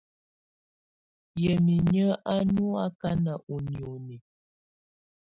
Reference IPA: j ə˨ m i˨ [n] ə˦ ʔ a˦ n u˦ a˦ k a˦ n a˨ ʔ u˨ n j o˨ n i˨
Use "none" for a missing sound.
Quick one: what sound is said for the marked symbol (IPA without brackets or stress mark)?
ɲ